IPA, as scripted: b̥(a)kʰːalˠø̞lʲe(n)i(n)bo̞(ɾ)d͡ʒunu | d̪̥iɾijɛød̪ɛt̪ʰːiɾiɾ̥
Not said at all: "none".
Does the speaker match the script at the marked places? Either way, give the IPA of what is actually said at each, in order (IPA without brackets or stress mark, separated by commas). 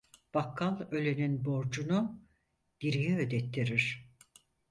a, n, n, ɾ